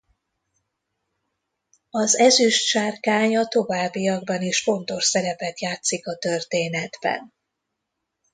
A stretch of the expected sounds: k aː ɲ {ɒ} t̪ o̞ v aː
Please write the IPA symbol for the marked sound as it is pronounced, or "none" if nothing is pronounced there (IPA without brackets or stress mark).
ɒ